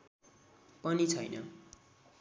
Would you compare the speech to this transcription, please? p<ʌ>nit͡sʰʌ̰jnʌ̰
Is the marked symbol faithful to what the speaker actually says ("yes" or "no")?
yes